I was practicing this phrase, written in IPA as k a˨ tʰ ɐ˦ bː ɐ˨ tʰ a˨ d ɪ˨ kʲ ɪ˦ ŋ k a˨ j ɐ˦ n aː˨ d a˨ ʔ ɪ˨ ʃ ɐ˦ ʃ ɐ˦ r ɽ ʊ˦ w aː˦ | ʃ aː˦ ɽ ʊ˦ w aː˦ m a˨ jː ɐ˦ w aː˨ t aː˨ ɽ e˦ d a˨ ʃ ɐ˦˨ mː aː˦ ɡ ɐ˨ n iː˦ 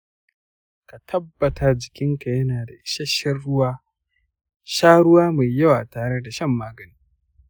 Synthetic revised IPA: k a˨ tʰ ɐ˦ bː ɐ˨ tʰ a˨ d͡ʒ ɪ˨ kʲ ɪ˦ ŋ k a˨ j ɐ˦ n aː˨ d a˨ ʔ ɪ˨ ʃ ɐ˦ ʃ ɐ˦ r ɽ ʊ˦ w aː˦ | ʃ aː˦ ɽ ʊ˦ w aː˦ m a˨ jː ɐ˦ w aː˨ t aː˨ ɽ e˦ d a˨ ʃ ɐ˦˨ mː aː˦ ɡ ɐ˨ n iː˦